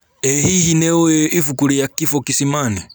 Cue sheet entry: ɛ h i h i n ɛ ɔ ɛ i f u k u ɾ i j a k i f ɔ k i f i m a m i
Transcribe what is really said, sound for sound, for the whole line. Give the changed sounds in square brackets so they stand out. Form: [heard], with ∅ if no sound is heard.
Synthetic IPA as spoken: ɛ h i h i n ɛ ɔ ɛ i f u k u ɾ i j a k i f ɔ k i [s] i m a [n] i